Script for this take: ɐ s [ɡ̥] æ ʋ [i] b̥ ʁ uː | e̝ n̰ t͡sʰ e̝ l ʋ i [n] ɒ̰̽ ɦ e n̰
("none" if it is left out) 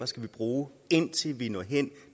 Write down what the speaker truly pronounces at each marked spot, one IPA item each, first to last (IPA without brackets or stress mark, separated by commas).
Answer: ɡ̥, i, n